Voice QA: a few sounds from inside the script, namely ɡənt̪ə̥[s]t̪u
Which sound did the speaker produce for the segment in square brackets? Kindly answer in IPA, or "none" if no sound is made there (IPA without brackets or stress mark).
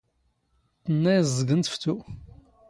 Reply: f